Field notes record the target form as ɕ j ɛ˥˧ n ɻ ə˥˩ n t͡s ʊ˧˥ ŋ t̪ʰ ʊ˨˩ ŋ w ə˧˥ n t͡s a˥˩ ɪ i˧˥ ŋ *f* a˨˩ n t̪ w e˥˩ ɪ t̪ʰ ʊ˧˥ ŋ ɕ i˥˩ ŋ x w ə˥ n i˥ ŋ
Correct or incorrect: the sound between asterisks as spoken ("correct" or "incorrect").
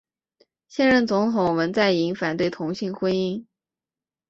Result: correct